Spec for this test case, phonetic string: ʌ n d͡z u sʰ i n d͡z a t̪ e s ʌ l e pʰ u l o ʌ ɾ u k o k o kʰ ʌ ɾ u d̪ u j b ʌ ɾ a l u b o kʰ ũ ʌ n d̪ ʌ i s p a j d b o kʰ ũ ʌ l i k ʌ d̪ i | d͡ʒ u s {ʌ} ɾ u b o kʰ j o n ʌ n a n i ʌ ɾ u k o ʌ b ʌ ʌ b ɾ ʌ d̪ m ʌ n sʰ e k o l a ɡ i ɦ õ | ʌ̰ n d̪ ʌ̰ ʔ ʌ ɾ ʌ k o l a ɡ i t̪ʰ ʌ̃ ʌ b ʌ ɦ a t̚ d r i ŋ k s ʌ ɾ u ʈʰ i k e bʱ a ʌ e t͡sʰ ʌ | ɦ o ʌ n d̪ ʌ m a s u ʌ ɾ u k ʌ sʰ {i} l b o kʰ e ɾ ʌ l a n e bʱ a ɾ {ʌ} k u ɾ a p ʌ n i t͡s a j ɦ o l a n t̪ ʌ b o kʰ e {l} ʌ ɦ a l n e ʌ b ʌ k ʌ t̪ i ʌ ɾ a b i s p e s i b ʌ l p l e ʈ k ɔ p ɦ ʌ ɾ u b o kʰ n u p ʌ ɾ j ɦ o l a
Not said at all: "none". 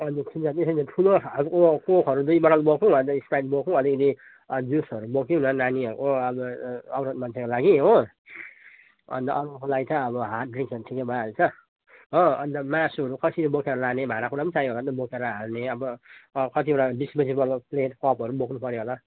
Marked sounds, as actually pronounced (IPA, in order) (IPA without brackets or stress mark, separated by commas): ʌ, i, a, ɾ